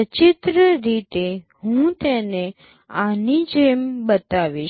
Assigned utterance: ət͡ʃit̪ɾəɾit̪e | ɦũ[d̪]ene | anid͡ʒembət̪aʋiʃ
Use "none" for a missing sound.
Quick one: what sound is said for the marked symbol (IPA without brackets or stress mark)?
t̪